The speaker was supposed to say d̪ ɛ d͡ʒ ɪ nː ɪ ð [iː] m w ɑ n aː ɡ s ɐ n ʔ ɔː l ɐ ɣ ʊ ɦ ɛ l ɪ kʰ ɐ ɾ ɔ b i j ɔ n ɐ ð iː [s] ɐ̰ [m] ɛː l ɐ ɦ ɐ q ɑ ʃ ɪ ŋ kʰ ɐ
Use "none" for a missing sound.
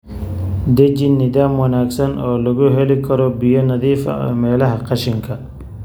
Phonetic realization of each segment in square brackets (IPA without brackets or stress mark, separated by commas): aː, f, m